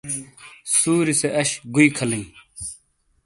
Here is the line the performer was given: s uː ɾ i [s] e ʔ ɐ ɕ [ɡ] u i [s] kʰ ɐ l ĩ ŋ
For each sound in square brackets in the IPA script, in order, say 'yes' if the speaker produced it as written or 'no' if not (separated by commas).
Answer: yes, yes, no